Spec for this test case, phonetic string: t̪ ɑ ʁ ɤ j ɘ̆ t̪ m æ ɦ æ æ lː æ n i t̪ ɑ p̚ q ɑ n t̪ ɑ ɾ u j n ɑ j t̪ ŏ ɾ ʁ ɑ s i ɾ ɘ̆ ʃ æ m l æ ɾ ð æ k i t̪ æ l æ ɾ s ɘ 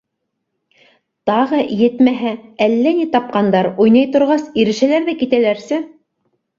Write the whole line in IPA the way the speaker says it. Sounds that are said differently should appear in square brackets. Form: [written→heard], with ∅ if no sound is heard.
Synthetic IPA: t̪ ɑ ʁ ɤ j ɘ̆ t̪ m æ ɦ æ æ lː æ n i t̪ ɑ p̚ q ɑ n [t̪→d̪] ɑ ɾ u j n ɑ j t̪ ŏ ɾ ʁ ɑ s i ɾ ɘ̆ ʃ æ [m→∅] l æ ɾ ð æ k i t̪ æ l æ ɾ s ɘ